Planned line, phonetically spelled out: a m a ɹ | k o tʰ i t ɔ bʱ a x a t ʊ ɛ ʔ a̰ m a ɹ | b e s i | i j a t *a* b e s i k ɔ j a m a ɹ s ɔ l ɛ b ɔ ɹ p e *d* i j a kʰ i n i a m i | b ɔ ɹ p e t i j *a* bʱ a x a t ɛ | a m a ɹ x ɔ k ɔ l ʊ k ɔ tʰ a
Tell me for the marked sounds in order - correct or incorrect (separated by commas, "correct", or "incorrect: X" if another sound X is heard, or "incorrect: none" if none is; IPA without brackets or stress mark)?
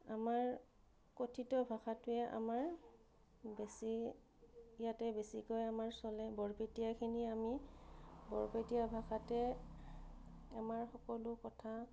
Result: incorrect: ɛ, incorrect: t, correct